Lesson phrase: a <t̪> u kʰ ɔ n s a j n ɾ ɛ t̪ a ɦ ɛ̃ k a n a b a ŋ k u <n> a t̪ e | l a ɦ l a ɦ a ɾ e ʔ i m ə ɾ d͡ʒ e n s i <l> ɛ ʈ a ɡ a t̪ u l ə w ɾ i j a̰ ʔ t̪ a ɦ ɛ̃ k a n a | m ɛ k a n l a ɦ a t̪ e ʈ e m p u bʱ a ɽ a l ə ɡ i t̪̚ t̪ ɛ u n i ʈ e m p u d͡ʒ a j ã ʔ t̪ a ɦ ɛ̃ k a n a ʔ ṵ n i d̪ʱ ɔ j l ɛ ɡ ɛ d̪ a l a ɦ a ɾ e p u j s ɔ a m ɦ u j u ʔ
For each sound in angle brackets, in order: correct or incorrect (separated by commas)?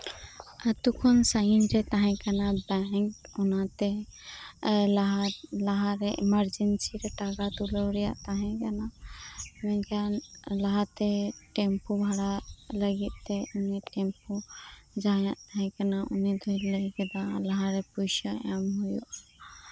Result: correct, correct, incorrect